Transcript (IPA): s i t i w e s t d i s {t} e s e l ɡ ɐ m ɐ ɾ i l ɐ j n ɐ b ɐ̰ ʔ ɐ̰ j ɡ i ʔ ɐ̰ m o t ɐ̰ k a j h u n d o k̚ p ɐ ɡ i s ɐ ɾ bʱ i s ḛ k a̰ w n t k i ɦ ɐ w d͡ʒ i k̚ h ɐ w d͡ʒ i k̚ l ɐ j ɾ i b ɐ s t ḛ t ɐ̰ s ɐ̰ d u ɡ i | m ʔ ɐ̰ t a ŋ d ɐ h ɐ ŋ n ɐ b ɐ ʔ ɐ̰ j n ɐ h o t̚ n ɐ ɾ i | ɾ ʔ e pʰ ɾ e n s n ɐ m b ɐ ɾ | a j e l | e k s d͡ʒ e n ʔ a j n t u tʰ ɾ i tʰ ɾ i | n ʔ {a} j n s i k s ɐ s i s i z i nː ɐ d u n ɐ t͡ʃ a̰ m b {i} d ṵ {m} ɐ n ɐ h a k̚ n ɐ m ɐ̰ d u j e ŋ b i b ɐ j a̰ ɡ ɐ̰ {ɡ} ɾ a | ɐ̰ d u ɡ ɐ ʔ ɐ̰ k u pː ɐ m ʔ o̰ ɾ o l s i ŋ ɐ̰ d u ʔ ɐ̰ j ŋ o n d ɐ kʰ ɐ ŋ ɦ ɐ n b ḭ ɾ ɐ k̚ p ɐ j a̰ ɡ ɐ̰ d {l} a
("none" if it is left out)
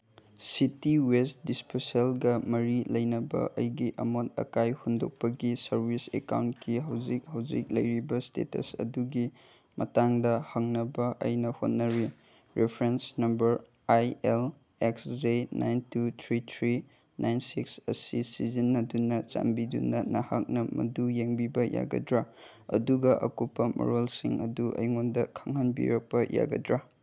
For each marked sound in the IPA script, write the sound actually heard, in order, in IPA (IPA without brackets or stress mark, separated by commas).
p, a, i, n, d, ɾ